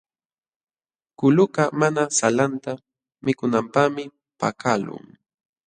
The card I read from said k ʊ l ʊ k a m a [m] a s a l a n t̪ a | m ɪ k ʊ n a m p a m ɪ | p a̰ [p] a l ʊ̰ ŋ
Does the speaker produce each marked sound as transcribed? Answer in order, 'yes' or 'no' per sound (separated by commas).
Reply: no, no